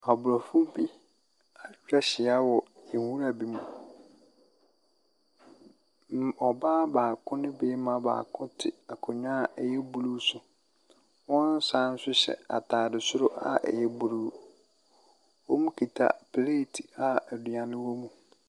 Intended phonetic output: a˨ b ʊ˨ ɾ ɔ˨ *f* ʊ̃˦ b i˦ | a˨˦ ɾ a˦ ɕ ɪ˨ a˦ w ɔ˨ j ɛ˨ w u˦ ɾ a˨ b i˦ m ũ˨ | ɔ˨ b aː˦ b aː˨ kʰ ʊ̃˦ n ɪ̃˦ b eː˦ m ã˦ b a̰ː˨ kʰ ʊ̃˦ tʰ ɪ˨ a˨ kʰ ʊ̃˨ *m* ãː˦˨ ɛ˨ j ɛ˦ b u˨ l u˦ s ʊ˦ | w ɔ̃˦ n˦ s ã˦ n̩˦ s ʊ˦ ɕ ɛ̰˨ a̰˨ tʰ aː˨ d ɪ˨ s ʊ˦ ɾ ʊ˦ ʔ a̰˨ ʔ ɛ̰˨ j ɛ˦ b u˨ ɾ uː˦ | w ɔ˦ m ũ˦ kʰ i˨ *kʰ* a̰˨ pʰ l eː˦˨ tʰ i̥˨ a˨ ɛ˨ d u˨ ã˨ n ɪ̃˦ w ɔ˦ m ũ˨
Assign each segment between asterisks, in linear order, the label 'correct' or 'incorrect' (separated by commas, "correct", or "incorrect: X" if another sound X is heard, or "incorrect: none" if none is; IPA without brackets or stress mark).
correct, incorrect: ɲ, incorrect: tʰ